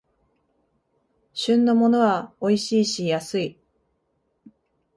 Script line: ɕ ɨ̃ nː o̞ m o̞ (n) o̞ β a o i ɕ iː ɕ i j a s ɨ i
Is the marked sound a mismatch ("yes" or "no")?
no